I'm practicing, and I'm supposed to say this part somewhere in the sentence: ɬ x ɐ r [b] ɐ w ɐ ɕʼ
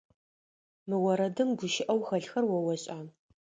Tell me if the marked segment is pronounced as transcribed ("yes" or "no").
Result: no